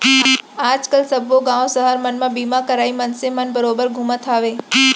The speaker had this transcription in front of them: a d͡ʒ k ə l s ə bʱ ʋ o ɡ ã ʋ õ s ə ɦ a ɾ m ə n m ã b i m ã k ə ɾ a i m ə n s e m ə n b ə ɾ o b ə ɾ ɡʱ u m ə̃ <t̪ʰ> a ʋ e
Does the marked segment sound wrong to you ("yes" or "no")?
no